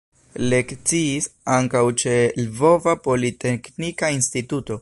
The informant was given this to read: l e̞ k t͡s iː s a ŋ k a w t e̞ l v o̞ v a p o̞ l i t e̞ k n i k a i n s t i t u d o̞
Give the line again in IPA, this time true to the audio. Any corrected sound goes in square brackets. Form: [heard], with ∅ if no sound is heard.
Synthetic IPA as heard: l e̞ k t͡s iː s a ŋ k a w [t͡ʃ] e̞ l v o̞ v a p o̞ l i t e̞ k n i k a i n s t i t u [t] o̞